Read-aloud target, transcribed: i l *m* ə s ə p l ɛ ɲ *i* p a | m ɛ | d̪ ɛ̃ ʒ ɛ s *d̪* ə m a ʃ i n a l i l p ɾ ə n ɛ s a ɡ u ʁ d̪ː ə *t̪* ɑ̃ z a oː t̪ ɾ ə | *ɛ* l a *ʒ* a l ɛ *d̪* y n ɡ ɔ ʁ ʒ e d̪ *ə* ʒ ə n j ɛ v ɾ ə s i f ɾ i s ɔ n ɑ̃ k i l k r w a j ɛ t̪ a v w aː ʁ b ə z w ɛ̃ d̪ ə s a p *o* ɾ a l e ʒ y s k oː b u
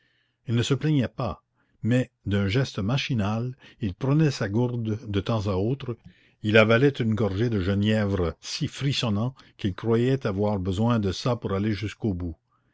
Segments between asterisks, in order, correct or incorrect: incorrect: n, incorrect: ɛ, incorrect: t̪, correct, incorrect: i, incorrect: v, incorrect: t̪, correct, incorrect: u

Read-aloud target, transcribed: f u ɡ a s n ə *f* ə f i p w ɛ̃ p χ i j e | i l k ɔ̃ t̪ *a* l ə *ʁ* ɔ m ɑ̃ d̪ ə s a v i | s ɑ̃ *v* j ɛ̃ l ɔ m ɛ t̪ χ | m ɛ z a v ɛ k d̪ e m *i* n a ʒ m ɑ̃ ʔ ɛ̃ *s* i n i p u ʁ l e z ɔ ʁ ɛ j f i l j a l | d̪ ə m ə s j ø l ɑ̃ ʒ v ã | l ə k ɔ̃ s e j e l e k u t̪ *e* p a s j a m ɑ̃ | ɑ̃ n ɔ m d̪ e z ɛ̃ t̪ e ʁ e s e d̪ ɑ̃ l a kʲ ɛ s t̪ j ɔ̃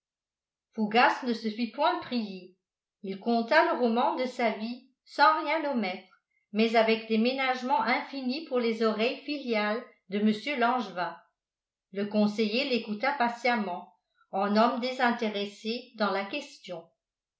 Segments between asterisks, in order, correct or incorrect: incorrect: s, correct, correct, incorrect: ʁ, incorrect: e, incorrect: f, incorrect: a

